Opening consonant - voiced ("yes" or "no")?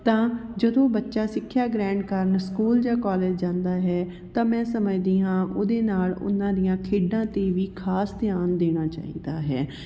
no